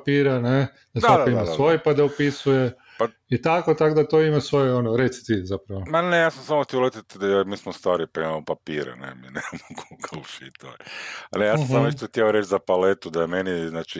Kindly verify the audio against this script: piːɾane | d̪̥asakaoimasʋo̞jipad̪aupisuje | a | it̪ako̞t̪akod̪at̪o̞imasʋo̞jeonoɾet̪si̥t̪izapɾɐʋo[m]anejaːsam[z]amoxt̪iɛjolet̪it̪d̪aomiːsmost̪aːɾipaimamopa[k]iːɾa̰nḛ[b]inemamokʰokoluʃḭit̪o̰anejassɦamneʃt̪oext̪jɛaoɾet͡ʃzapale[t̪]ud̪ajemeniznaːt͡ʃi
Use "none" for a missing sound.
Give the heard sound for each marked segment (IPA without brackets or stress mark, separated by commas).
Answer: m, s, p, m, t̪